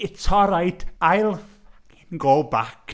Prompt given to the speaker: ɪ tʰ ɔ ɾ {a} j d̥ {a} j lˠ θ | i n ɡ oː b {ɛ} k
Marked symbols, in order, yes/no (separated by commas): yes, yes, no